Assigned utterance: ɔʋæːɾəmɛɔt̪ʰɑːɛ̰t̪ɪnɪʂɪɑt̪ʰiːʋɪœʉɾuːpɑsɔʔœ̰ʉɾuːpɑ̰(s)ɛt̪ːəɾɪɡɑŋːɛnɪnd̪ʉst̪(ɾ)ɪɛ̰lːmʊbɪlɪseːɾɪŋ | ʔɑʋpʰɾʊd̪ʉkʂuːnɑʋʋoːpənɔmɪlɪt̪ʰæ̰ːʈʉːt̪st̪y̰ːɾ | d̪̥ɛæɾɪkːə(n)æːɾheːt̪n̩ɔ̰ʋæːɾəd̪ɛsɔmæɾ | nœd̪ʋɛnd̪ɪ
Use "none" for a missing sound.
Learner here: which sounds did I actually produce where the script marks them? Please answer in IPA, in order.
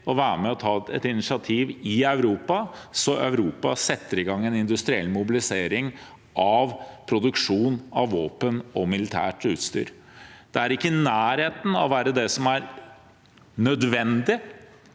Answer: s, ɾ, n

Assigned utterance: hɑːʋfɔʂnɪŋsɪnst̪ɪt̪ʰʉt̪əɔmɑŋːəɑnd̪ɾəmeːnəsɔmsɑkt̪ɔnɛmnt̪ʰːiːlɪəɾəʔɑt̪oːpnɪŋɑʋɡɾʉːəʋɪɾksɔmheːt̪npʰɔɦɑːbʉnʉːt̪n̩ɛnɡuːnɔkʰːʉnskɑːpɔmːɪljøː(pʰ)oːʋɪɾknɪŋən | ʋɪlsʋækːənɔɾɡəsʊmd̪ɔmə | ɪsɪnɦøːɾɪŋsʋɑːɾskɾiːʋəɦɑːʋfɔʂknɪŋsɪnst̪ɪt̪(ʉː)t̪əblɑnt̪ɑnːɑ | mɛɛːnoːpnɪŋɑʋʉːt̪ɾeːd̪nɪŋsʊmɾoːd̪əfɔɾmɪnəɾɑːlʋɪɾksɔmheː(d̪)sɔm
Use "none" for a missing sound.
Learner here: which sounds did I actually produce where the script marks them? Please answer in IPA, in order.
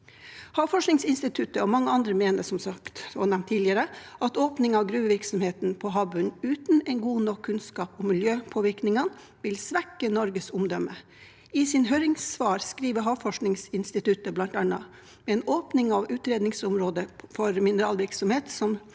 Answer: pʰ, ʉ, t̪

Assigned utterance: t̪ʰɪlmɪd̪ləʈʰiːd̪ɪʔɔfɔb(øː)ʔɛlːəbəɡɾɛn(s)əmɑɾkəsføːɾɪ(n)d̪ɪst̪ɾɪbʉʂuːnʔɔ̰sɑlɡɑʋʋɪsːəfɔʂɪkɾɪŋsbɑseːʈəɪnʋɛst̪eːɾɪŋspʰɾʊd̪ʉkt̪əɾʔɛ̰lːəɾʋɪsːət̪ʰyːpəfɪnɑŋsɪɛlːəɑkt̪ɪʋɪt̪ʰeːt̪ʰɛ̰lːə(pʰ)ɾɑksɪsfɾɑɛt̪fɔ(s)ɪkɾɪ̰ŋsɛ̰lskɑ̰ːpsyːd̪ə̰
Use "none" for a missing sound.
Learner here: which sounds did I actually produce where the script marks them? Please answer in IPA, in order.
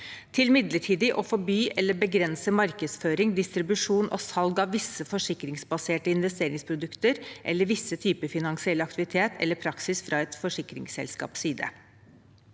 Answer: yː, s, ŋ, pʰ, ʂ

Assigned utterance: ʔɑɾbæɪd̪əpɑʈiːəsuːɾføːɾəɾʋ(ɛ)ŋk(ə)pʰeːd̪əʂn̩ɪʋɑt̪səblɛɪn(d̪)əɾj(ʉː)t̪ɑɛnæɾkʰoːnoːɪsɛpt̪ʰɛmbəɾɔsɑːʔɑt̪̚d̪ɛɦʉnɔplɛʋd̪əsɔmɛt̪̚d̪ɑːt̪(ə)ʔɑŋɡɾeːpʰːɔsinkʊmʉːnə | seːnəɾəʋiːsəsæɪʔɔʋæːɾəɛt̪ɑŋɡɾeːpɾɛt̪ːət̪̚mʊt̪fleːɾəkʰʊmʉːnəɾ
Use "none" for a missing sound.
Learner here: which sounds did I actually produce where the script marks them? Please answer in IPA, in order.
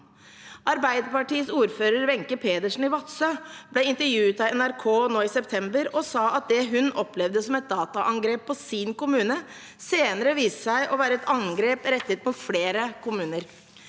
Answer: ɛ, ə, t̪, ʉː, ɑ

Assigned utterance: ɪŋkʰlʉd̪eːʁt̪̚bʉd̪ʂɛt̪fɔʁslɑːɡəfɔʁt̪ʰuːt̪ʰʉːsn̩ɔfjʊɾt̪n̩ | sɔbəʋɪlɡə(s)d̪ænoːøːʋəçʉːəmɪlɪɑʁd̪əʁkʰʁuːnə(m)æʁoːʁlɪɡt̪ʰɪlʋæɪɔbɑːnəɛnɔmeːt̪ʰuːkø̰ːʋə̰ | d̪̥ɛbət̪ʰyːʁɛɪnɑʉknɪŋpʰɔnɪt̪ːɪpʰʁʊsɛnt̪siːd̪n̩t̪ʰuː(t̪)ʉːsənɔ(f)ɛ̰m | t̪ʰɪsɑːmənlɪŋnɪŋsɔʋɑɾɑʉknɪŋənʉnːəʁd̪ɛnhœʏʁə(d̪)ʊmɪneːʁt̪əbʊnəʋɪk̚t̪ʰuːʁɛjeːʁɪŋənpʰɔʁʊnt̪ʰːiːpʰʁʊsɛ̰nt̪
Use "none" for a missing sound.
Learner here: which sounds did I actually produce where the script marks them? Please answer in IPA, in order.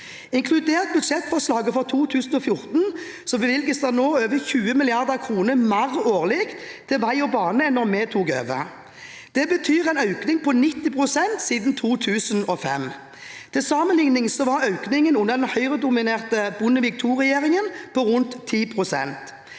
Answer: s, m, t̪ʰ, f, d̪

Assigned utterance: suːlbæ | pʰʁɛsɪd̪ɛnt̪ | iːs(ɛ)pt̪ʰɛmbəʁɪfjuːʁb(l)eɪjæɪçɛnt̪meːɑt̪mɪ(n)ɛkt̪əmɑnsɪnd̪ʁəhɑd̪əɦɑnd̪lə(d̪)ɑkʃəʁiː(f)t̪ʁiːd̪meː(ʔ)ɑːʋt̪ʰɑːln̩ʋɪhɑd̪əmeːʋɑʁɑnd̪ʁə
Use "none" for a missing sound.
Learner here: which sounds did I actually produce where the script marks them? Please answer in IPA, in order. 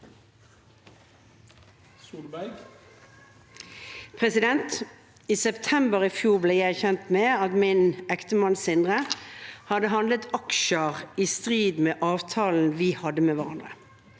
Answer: ɛ, l, n, t̪, s, ʔ

